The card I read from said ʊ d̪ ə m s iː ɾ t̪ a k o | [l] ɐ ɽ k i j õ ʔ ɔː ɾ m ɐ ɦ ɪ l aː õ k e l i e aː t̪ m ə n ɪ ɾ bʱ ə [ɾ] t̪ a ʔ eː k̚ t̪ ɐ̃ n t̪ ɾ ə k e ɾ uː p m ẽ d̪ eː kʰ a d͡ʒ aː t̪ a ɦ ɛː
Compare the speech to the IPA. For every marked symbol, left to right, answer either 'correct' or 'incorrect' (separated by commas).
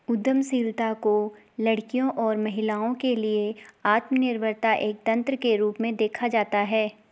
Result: correct, correct